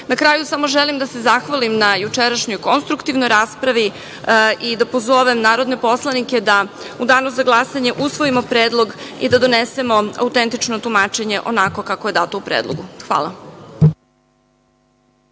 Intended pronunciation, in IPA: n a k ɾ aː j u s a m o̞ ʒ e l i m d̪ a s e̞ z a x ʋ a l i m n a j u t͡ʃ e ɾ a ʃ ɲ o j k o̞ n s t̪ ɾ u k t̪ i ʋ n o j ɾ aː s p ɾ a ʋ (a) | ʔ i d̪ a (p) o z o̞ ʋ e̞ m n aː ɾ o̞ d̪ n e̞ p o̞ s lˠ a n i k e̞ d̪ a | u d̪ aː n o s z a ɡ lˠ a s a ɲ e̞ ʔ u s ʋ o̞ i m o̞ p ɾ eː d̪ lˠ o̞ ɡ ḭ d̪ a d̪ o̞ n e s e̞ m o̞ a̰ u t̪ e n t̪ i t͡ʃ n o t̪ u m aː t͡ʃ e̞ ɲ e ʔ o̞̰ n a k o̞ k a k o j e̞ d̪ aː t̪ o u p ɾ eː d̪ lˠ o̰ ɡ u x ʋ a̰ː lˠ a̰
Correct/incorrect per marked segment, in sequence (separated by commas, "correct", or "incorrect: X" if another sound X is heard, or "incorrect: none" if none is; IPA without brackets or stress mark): incorrect: i, correct